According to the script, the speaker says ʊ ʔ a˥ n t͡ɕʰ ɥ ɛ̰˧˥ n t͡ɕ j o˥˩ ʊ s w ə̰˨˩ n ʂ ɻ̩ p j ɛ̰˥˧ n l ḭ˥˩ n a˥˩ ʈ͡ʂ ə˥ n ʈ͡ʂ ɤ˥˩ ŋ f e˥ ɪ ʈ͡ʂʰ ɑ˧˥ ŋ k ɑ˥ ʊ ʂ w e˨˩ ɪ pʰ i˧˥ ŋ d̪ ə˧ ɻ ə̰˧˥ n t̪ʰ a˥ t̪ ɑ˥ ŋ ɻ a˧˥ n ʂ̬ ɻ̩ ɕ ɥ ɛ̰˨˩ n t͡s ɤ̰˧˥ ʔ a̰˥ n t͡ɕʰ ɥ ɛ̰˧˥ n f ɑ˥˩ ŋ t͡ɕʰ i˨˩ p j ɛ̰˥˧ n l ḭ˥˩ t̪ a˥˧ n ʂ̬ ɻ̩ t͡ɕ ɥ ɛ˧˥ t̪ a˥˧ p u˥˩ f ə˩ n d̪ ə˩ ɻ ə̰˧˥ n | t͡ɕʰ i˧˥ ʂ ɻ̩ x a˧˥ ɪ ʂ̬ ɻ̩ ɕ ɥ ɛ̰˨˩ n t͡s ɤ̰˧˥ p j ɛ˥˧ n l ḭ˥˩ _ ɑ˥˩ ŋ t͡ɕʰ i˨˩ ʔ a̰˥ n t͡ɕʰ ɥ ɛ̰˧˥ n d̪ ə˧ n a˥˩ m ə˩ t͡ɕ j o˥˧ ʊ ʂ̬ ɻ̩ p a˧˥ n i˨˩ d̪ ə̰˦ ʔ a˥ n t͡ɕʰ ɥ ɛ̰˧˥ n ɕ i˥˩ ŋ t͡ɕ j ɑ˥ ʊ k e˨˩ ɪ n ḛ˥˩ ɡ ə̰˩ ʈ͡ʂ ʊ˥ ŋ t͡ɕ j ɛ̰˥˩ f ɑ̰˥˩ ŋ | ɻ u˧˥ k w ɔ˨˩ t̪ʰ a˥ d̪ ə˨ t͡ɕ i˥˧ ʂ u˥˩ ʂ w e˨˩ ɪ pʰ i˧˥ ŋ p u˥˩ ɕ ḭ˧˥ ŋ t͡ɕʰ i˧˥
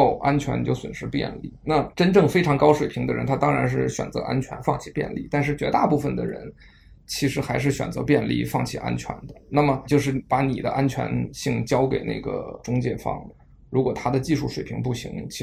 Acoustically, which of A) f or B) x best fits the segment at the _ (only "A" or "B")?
A